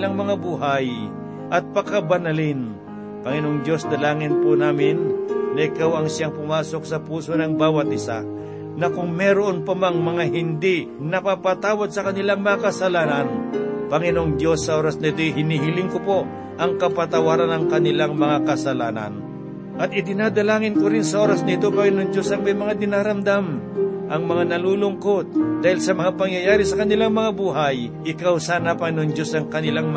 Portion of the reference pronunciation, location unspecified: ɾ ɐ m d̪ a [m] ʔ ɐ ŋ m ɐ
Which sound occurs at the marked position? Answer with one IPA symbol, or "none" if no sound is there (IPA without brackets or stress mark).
m